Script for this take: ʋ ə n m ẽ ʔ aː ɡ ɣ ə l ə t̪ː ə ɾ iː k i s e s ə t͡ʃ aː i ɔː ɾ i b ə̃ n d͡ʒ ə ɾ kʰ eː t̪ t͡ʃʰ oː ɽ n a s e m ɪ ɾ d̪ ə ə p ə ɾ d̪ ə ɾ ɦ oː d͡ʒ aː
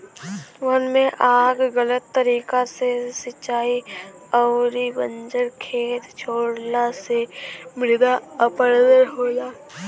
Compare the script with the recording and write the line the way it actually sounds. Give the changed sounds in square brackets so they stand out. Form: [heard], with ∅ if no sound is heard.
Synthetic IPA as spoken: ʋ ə n m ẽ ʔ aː ɡ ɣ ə l ə t̪ː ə ɾ iː k [a] s e s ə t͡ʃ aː i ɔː ɾ i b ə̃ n d͡ʒ ə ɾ kʰ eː t̪ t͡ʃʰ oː ɽ n a s e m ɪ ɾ d̪ [a] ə p ə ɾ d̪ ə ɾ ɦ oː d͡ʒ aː